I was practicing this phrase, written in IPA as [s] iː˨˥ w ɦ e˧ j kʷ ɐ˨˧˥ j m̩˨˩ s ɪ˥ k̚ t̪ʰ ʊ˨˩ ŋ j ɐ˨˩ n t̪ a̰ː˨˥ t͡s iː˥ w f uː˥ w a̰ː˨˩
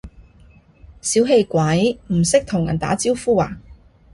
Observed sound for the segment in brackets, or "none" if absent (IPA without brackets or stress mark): s